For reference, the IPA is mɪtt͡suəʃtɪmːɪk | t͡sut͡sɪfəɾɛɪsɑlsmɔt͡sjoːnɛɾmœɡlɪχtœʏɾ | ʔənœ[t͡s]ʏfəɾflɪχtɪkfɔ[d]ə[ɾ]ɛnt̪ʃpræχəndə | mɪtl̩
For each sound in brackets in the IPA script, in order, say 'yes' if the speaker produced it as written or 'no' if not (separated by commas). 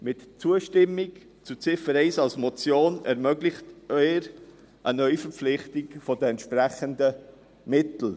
no, yes, no